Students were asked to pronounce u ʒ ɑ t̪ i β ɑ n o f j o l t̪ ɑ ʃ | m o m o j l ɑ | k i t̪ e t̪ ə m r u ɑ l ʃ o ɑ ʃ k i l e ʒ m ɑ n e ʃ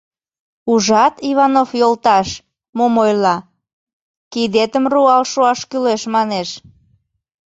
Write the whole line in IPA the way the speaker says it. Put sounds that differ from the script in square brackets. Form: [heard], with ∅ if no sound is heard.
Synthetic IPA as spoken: u ʒ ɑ t̪ i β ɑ n o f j o l t̪ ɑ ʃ | m o m o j l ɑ | k i [d̪] e t̪ ə m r u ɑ l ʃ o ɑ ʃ k [y] l e [ʃ] m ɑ n e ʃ

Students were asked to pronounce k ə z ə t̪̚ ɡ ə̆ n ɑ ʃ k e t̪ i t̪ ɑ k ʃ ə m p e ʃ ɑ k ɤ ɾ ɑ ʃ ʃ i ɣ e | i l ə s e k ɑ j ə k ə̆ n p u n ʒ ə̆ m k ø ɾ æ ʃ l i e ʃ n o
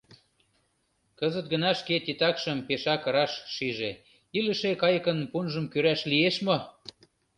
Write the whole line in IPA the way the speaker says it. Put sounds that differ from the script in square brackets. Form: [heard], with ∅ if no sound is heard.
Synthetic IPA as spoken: k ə z ə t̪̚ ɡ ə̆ n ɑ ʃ k e t̪ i t̪ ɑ k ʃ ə m p e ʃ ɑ k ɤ ɾ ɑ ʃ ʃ i [ʒ] e | i l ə [ʃ] e k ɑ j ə k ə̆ n p u n ʒ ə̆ m k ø ɾ æ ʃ l i e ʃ [m] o

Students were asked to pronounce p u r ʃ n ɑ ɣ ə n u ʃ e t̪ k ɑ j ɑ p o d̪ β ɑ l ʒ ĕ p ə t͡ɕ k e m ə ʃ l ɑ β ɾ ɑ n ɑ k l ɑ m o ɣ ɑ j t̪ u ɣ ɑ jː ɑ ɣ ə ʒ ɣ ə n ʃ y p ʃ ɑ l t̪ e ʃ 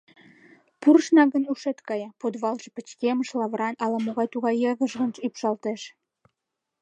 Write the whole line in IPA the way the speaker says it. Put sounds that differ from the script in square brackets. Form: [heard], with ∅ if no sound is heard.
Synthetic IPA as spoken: p u r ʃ n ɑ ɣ ə n u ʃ e t̪ k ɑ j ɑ p o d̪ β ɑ l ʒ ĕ p ə t͡ɕ k e m ə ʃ l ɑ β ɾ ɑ n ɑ [∅] l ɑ m o ɣ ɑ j t̪ u ɣ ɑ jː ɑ ɣ ə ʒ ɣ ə n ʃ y p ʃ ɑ l t̪ e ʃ

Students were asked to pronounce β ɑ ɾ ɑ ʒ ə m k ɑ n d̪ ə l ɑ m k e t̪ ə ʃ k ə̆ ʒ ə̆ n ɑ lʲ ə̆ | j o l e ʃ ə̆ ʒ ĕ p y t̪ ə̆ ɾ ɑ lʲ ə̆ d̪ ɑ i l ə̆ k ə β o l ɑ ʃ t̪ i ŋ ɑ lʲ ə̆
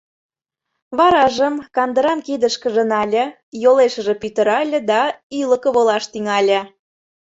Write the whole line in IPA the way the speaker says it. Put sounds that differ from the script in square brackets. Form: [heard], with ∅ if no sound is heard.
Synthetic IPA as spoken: β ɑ ɾ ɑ ʒ ə m k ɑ n d̪ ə [ɾ] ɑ m k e [d̪] ə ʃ k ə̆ ʒ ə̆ n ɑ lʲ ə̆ | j o l e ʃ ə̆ ʒ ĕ p y t̪ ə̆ ɾ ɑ lʲ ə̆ d̪ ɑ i l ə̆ k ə β o l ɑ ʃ t̪ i ŋ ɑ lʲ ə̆

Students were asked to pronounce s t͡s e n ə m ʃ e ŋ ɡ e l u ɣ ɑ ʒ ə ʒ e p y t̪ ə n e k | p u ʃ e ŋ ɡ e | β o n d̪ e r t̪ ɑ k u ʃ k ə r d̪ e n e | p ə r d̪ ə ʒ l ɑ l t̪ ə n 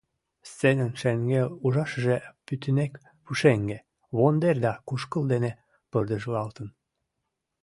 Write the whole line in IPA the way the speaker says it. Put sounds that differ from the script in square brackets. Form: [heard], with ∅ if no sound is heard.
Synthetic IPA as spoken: s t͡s e n ə [n] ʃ e ŋ ɡ e l u [ʒ] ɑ [ʃ] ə ʒ e p y t̪ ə n e k | p u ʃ e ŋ ɡ e | β o n d̪ e r [d̪] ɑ k u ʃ k ə [l] d̪ e n e | p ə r d̪ ə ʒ l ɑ l t̪ ə n

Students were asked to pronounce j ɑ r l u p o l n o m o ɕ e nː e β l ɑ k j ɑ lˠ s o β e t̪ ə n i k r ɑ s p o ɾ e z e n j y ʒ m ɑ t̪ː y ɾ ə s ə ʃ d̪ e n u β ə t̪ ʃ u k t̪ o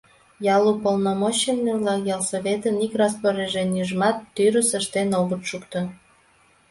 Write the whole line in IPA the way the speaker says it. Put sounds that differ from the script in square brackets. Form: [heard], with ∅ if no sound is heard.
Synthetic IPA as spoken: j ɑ [∅] l u p o l n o m o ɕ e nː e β l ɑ k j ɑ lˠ s o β e t̪ ə n i k r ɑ s p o ɾ e [ʒ] e n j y ʒ m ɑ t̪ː y ɾ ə s ə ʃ [t̪] e n [o] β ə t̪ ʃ u k t̪ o

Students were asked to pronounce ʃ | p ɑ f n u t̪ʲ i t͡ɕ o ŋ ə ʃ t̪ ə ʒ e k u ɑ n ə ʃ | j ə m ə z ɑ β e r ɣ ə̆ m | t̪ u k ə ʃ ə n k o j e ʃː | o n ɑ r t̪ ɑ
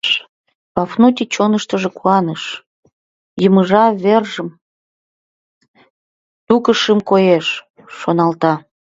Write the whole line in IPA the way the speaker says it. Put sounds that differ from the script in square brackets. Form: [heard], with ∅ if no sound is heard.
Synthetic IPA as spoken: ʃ | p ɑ f n u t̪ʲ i t͡ɕ o [n] ə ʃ t̪ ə ʒ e k u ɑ n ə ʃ | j ə m ə [ʒ] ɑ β e r [ʒ] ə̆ m | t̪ u k ə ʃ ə [m] k o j e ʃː | o n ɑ [l] t̪ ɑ

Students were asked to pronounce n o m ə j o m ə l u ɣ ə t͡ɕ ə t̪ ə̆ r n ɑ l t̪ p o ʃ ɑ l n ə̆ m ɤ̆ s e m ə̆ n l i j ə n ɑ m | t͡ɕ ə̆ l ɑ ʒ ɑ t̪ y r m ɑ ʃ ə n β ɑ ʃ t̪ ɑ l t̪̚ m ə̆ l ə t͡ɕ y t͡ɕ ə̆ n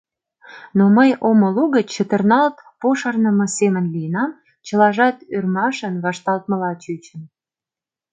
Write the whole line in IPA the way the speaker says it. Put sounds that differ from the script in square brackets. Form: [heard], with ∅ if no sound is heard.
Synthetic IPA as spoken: n o m ə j o m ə l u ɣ ə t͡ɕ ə t̪ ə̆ r n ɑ l t̪ p o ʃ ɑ [r] n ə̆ m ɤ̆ s e m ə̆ n l i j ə n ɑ m | t͡ɕ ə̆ l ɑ ʒ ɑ t̪ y r m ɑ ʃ ə n β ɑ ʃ t̪ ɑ l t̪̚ m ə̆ l [ɑ] t͡ɕ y t͡ɕ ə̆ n

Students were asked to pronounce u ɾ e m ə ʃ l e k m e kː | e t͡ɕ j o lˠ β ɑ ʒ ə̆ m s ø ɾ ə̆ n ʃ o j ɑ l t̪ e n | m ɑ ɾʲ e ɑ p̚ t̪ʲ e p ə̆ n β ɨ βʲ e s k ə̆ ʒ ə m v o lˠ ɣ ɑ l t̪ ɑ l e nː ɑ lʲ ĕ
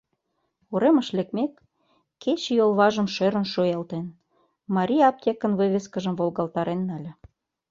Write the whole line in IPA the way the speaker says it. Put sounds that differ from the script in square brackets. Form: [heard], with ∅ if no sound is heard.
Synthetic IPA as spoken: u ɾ e m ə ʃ l e k m e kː | e t͡ɕ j o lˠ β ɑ ʒ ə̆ m [ʃ] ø ɾ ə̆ n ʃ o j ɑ l t̪ e n | m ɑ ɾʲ [i] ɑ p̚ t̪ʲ e [k] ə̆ n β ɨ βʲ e s k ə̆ ʒ ə m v o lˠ ɣ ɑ l t̪ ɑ [ɾ] e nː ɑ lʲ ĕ

